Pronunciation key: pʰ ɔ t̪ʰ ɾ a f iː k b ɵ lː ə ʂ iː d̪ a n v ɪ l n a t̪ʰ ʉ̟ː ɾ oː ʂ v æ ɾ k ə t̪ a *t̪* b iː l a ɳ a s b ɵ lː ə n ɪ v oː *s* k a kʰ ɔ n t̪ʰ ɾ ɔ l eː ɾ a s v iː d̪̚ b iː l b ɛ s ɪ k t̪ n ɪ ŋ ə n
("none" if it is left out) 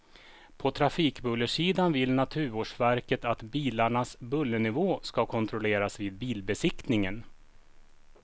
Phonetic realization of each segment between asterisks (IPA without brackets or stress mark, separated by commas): t̪, s